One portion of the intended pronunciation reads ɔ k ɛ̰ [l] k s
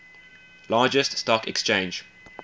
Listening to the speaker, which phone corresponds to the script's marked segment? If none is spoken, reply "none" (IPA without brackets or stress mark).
none